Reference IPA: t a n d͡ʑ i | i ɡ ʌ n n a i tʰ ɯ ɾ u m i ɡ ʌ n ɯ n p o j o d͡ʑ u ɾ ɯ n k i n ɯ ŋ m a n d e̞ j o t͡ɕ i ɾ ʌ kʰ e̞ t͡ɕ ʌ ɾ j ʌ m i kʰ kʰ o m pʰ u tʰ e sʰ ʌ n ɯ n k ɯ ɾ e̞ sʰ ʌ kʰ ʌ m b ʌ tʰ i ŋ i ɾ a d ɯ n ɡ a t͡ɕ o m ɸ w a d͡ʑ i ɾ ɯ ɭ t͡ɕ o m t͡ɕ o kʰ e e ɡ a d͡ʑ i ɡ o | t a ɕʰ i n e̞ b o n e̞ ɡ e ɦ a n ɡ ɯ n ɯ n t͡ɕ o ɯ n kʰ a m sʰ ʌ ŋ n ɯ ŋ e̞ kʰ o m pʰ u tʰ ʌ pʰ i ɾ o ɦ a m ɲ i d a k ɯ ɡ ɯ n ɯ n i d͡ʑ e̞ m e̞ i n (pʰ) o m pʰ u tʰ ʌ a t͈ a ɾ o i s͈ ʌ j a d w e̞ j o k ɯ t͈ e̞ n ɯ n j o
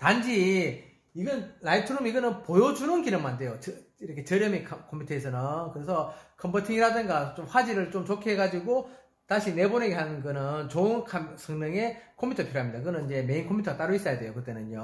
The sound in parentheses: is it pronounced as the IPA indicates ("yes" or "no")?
no